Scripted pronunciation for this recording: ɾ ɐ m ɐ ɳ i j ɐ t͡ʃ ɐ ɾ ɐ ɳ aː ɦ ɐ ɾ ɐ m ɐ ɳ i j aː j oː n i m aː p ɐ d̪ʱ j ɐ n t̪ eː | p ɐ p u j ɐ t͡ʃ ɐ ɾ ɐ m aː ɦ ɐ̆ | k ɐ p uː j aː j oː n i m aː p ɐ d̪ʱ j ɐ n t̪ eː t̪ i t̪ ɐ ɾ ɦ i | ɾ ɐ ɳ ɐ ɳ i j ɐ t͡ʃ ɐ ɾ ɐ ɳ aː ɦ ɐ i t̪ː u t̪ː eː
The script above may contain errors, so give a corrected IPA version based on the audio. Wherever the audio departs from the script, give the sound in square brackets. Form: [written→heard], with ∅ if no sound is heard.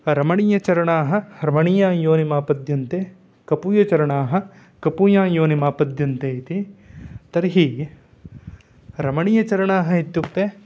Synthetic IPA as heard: ɾ ɐ m ɐ ɳ i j ɐ t͡ʃ ɐ ɾ ɐ ɳ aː ɦ ɐ ɾ ɐ m ɐ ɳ i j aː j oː n i m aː p ɐ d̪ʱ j ɐ n t̪ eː | [p→k] ɐ p u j ɐ t͡ʃ ɐ ɾ ɐ [m→ɳ] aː ɦ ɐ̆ | k ɐ p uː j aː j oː n i m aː p ɐ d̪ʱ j ɐ n t̪ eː t̪ i t̪ ɐ ɾ ɦ i | ɾ ɐ [ɳ→m] ɐ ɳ i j ɐ t͡ʃ ɐ ɾ ɐ ɳ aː ɦ ɐ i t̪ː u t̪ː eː

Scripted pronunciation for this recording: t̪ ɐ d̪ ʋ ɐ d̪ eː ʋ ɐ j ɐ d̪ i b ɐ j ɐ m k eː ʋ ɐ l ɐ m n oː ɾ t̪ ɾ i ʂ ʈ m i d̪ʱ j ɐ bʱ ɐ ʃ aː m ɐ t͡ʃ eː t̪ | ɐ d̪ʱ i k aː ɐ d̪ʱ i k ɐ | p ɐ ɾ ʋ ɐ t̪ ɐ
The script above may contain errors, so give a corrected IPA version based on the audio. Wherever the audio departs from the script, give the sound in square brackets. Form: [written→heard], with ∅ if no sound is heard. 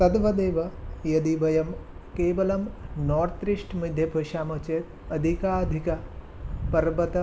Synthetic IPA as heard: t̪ ɐ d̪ ʋ ɐ d̪ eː ʋ ɐ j ɐ d̪ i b ɐ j ɐ m k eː ʋ ɐ l ɐ m n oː ɾ t̪ ɾ i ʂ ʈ m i d̪ʱ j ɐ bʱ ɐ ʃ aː m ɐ t͡ʃ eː t̪ | ɐ d̪ʱ i k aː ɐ d̪ʱ i k ɐ | p ɐ ɾ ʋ ɐ t̪ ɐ

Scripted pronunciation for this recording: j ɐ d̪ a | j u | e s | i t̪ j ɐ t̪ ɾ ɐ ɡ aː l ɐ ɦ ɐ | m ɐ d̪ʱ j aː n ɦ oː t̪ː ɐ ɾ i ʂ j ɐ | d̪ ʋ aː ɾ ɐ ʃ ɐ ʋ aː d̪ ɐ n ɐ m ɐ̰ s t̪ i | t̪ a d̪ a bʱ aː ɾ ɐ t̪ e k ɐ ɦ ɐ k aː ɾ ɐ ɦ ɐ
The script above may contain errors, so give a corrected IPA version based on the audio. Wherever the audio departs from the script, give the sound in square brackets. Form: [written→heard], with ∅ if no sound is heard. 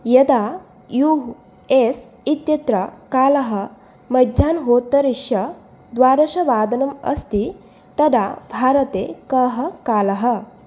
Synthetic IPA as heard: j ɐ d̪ a | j u | e s | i t̪ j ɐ t̪ ɾ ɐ [ɡ→k] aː l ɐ ɦ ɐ | m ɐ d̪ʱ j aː n ɦ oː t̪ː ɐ ɾ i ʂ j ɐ | d̪ ʋ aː ɾ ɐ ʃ ɐ ʋ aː d̪ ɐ n ɐ m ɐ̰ s t̪ i | t̪ [a→ɐ] d̪ a bʱ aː ɾ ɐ t̪ e k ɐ ɦ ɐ k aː [ɾ→l] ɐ ɦ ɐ

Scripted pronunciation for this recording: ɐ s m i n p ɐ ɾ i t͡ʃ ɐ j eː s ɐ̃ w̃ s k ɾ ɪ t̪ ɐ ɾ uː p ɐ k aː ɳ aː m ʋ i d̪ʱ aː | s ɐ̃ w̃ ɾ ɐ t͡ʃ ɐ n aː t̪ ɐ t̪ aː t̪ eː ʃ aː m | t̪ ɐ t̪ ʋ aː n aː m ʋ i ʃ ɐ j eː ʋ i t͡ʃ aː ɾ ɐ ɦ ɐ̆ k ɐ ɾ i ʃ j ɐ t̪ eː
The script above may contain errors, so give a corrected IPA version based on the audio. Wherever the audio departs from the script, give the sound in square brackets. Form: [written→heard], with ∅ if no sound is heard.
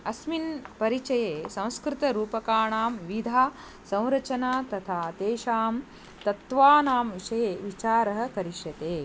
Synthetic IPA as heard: ɐ s m i n p ɐ ɾ i t͡ʃ ɐ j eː s ɐ̃ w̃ s k ɾ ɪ t̪ ɐ ɾ uː p ɐ k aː ɳ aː m ʋ i d̪ʱ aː | s ɐ̃ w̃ ɾ ɐ t͡ʃ ɐ n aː t̪ ɐ [t̪→t̪ʰ] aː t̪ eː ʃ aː m | t̪ ɐ t̪ ʋ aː n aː m ʋ i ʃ ɐ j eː ʋ i t͡ʃ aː ɾ ɐ ɦ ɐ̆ k ɐ ɾ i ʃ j ɐ t̪ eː

